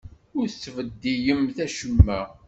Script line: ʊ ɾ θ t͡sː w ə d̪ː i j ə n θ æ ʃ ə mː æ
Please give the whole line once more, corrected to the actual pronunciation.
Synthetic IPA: ʊ ɾ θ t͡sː v ə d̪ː i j ə m θ æ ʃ ə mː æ